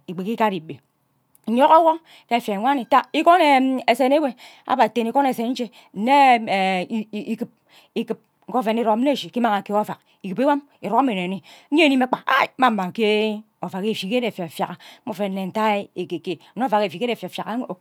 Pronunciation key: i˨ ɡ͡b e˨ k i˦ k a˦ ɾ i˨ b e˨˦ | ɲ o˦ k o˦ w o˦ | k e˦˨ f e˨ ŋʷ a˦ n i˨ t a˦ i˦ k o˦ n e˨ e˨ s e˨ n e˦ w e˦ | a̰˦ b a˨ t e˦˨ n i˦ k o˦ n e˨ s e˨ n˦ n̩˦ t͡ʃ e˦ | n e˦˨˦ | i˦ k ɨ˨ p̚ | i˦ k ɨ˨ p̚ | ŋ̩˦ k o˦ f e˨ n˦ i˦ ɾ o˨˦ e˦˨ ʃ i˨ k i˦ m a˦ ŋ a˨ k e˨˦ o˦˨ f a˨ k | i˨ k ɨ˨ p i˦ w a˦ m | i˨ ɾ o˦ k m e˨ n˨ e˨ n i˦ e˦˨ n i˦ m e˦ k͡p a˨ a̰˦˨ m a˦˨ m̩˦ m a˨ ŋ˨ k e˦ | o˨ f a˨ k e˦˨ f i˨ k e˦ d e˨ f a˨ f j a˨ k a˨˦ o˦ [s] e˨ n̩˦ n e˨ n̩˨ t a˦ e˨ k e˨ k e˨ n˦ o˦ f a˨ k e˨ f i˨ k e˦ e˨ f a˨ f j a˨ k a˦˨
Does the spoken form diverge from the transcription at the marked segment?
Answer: yes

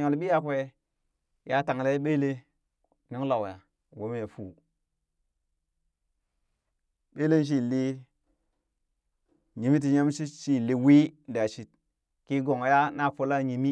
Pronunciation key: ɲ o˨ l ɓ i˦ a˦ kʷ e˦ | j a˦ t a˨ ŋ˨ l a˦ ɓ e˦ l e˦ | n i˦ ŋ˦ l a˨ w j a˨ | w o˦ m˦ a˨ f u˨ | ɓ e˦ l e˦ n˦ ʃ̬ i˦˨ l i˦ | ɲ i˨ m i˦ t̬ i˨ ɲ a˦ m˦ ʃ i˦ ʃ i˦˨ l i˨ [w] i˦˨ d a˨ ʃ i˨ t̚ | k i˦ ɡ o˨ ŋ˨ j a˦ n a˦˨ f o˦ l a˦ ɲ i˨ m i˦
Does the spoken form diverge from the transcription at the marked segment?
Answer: no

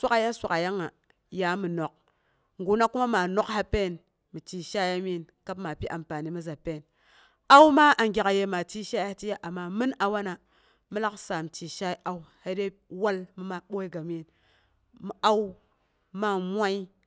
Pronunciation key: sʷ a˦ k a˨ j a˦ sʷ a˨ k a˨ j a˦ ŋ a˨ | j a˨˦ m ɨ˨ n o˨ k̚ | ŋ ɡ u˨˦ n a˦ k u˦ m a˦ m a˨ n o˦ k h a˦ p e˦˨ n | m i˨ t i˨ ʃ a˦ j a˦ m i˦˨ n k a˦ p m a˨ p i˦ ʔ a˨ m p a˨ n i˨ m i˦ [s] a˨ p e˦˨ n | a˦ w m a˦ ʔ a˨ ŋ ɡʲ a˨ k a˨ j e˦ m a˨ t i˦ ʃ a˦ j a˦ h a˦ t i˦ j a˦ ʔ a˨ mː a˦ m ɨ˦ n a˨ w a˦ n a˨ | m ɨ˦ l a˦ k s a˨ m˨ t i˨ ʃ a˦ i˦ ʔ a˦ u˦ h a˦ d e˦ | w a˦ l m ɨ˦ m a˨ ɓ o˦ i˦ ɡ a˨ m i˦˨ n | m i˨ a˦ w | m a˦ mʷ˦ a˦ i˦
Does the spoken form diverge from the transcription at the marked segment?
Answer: yes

